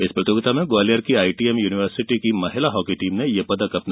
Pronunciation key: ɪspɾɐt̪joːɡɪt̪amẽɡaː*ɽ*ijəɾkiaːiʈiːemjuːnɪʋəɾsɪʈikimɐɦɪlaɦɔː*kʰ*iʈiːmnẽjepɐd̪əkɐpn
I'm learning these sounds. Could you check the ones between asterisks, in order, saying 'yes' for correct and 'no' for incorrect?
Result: no, no

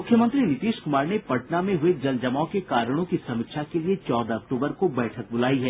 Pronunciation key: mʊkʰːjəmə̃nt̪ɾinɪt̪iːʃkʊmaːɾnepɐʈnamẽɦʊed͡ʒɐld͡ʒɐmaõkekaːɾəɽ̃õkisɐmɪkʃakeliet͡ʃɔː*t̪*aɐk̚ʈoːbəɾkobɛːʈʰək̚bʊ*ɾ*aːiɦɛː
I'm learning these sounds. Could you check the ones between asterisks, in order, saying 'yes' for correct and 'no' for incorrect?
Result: no, no

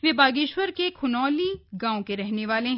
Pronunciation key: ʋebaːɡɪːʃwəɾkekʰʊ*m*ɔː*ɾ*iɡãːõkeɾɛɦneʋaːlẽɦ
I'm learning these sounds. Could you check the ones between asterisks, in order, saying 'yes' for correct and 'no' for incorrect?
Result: no, no

